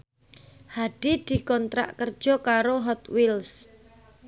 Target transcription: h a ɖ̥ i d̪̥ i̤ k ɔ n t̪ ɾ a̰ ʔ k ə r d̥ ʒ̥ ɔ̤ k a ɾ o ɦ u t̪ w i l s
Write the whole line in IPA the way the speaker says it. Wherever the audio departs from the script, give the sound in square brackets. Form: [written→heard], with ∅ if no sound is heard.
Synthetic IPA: h a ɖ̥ i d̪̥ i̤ k ɔ n t̪ ɾ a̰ ʔ k ə r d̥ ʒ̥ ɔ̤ k a ɾ o ɦ [u→ɔ] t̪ w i l s